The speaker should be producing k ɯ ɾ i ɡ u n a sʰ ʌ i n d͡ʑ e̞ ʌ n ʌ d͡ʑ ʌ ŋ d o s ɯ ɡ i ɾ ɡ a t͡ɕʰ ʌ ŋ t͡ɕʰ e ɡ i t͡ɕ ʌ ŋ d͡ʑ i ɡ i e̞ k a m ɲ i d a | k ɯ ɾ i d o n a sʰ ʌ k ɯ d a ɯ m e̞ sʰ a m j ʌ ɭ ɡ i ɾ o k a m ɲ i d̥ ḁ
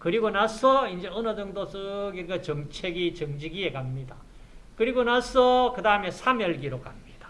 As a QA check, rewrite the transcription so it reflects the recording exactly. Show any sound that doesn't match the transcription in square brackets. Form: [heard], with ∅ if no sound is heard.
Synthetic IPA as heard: k ɯ ɾ i ɡ [o] n a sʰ ʌ i n d͡ʑ e̞ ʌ n ʌ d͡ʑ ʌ ŋ d o s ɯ ɡ i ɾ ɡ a [t͡ɕ] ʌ ŋ t͡ɕʰ e ɡ i t͡ɕ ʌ ŋ d͡ʑ i ɡ i e̞ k a m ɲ i d a | k ɯ ɾ i [ɡ] o n a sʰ ʌ k ɯ d a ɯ m e̞ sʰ a m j ʌ ɭ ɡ i ɾ o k a m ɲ i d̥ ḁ